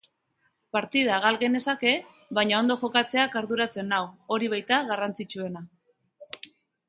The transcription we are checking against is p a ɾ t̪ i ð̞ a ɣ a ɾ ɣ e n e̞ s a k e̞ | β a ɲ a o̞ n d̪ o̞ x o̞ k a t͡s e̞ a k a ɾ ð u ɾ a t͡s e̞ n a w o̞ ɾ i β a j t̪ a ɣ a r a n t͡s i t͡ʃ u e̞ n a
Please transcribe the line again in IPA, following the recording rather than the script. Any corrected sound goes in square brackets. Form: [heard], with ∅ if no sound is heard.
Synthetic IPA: p a ɾ t̪ i ð̞ a ɣ a [l] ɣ e n e̞ s a k e̞ | β a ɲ a o̞ n d̪ o̞ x o̞ k a t͡s e̞ a k a ɾ ð u ɾ a t͡s e̞ n a w o̞ ɾ i β a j t̪ a ɣ a r a n t͡s i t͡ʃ u e̞ n a